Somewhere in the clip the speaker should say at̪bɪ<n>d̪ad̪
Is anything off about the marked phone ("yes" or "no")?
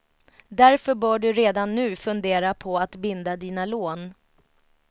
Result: no